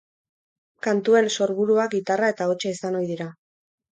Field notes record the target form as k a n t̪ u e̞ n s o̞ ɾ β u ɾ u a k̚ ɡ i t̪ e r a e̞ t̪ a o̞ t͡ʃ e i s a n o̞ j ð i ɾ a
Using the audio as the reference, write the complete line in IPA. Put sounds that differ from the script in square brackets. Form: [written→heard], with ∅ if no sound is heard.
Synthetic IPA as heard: k a n t̪ u e̞ n s o̞ ɾ β u ɾ u a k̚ ɡ i t̪ [e→a] r a e̞ t̪ a o̞ t͡ʃ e i s a n o̞ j ð i ɾ a